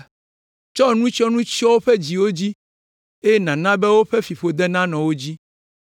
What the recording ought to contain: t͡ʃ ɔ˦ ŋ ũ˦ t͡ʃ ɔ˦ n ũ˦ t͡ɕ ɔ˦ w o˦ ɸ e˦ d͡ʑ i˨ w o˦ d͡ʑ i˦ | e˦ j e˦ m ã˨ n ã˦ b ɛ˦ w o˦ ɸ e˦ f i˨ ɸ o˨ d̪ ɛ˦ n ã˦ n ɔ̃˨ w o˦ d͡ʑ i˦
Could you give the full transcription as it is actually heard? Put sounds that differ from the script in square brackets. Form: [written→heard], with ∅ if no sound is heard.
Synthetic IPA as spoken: t͡ʃ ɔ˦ [ŋ→n] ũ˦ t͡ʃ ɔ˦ n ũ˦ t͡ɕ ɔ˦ w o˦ ɸ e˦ d͡ʑ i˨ w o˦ d͡ʑ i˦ | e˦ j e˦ [m→n] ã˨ n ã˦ b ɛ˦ w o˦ ɸ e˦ f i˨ ɸ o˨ d̪ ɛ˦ n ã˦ n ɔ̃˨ w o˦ d͡ʑ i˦

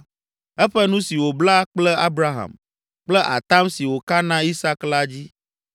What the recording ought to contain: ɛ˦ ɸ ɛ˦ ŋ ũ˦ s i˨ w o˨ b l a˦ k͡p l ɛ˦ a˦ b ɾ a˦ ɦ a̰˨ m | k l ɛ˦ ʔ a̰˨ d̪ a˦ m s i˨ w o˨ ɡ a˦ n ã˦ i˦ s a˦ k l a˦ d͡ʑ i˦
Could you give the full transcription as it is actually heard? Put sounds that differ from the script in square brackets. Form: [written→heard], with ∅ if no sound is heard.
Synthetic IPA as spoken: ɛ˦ ɸ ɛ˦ [ŋ→n] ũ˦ s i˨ w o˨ b l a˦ k͡p l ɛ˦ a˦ b ɾ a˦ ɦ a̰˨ m | [k→k͡p] l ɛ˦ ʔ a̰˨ [d̪→t̪] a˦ m s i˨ w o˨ [ɡ→k] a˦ n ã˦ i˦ s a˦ k l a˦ d͡ʑ i˦

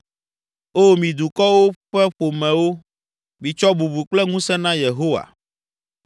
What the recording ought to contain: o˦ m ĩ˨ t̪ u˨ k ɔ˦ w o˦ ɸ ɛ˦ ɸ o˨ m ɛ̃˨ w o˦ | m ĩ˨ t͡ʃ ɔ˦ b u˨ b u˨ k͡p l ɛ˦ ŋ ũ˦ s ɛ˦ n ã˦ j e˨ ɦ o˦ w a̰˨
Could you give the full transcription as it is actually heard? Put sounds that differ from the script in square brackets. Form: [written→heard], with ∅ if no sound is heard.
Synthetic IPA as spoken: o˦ m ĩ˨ [t̪→d̪] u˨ k ɔ˦ w o˦ ɸ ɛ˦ ɸ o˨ m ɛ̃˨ w o˦ | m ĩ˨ t͡ʃ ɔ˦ b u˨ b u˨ k͡p l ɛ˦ ŋ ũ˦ s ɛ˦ n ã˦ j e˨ ɦ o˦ w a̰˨

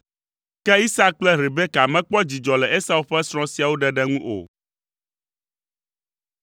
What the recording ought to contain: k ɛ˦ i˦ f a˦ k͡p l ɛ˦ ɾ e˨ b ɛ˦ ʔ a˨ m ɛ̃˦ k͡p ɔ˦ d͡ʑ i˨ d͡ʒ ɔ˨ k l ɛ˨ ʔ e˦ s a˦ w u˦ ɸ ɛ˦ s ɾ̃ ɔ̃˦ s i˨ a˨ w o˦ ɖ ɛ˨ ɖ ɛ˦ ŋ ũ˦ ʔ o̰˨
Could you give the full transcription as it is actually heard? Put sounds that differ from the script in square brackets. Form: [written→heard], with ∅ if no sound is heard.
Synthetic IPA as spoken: k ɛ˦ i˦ [f→s] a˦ k͡p l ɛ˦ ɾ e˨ b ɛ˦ [ʔ→k] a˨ m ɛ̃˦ k͡p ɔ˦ d͡ʑ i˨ d͡ʒ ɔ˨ [k→∅] l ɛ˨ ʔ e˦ s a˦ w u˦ ɸ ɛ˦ s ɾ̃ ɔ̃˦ s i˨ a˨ w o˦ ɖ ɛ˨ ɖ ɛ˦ ŋ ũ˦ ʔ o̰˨

